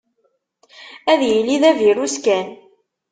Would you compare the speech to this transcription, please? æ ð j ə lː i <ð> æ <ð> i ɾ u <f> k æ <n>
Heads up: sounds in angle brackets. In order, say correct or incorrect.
correct, incorrect: v, incorrect: s, correct

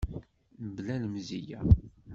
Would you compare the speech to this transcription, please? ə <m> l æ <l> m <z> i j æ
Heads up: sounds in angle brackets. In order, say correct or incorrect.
incorrect: b, correct, correct

